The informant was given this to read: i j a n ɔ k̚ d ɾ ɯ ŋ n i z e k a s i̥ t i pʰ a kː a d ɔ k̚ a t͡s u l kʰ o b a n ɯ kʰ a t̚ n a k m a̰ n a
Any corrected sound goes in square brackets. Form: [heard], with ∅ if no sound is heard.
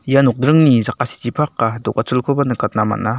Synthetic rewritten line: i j a n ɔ k̚ d ɾ ɯ ŋ n i z [a] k a s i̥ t i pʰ a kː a d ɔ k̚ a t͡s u l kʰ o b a n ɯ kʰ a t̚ n a [∅] m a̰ n a